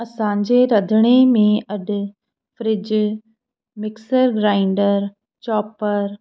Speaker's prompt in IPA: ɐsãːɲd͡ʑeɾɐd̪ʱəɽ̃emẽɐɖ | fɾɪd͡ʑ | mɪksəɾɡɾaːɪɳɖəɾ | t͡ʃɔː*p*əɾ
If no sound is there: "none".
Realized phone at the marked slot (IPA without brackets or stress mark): p